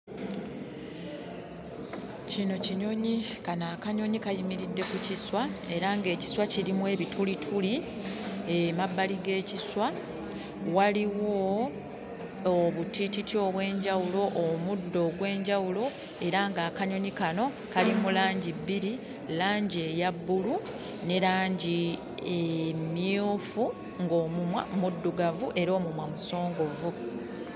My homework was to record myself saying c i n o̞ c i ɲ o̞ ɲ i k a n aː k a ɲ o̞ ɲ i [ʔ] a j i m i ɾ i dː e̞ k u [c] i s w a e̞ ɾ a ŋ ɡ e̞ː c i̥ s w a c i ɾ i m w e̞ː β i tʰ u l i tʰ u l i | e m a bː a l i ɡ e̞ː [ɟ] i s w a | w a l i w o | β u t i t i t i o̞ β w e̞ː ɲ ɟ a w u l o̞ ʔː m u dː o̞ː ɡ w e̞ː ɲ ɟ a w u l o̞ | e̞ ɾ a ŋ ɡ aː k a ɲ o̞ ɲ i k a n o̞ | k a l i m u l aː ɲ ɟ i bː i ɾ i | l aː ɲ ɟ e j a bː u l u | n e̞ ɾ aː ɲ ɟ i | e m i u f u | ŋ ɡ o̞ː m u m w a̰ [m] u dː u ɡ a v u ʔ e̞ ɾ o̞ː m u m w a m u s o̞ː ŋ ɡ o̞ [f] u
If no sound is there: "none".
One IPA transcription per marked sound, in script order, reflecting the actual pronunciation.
k, c, c, m, v

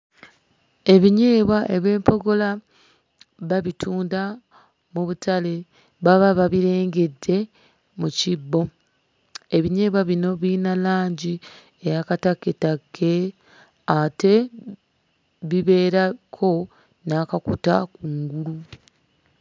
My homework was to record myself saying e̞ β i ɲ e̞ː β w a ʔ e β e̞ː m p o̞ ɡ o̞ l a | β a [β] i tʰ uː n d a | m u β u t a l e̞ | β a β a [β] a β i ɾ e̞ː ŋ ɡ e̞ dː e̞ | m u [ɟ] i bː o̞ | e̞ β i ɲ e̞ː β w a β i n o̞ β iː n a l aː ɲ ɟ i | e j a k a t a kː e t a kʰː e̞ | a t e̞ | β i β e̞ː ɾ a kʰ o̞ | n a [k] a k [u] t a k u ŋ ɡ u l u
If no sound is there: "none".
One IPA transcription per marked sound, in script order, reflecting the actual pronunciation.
β, β, c, k, u

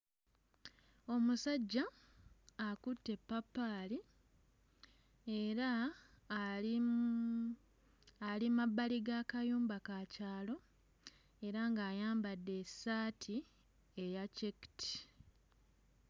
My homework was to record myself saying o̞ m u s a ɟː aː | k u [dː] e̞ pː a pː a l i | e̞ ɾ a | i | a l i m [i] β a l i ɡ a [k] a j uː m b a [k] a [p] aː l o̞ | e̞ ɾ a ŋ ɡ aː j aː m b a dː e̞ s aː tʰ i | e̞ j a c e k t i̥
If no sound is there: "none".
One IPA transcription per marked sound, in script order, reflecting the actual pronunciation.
tː, a, k, k, c

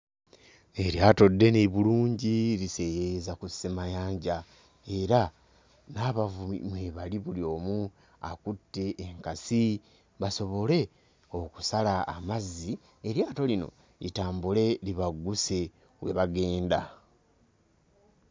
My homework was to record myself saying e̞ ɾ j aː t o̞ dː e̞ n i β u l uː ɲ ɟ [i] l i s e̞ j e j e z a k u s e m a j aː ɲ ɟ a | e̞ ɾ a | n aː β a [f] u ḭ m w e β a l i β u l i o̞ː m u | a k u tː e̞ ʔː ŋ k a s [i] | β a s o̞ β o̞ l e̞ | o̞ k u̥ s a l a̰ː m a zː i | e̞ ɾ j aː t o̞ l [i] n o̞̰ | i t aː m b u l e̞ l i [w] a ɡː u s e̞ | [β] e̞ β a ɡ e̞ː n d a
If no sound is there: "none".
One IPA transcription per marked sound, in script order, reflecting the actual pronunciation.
i, v, i, i, β, w

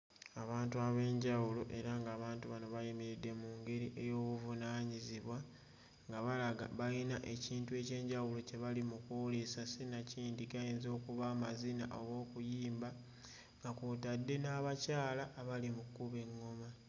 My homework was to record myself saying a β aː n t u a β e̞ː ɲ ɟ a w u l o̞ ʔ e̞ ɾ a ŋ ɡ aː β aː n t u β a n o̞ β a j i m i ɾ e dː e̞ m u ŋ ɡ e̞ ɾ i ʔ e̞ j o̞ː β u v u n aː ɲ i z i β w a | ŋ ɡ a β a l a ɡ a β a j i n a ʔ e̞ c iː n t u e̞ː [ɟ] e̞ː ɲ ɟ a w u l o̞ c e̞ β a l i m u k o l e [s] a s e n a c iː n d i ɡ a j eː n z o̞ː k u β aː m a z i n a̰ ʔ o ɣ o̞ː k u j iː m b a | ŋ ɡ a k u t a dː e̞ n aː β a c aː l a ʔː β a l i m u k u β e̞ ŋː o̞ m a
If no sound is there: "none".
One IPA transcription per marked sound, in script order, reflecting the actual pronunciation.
c, s

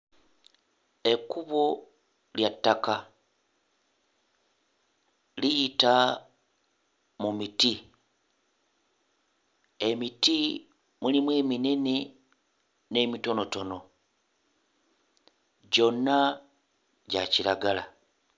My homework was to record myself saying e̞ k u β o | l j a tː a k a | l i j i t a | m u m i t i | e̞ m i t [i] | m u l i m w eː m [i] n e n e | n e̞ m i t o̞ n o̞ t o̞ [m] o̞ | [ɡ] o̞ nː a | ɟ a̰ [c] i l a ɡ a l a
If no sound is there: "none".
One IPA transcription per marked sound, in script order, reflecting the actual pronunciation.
i, i, n, ɟ, c

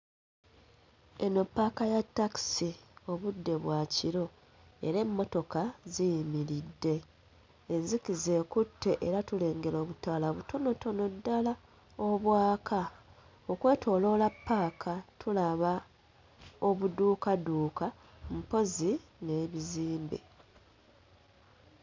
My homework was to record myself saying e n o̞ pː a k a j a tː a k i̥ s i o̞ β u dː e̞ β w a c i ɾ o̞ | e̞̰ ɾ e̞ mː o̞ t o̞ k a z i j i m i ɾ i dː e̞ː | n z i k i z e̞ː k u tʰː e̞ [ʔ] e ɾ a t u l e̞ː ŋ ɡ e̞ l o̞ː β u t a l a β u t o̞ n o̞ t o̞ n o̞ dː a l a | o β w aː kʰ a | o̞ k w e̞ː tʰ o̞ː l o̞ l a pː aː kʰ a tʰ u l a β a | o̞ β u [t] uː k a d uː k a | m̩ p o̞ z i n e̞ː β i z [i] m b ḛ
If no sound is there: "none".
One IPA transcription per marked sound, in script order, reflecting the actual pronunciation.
ʔ, d, iː

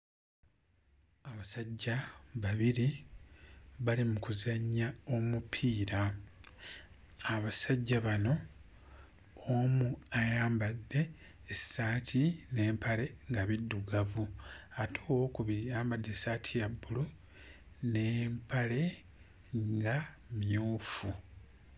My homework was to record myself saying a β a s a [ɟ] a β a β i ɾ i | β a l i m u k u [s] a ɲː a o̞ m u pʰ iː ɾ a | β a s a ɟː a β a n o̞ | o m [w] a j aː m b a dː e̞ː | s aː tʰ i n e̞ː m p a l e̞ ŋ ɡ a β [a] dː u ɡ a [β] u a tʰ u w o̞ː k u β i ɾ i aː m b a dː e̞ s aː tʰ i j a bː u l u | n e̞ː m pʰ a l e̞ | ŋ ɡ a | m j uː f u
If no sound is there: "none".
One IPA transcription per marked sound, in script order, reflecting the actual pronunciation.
ɟː, z, u, i, v

